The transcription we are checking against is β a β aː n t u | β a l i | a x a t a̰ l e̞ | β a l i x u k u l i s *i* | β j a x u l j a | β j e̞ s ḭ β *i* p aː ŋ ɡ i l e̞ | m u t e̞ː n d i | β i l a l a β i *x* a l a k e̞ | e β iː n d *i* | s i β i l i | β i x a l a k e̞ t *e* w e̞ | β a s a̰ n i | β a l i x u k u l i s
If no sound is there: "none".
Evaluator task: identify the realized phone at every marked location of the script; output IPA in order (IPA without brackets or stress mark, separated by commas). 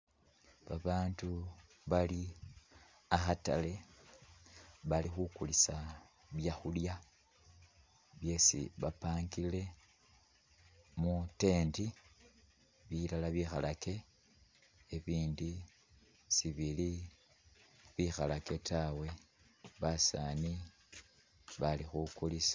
a, a, x, i, a